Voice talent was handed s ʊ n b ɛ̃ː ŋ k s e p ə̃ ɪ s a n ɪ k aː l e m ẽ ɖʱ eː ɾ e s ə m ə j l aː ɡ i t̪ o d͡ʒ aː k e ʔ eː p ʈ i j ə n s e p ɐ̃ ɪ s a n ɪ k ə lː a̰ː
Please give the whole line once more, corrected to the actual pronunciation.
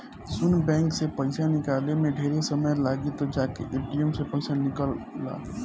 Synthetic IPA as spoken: s ʊ n b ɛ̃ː ŋ k s e p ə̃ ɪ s a n ɪ k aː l e m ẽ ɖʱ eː ɾ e s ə m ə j l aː ɡ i t̪ o d͡ʒ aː k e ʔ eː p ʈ i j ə m s e p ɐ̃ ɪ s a n ɪ k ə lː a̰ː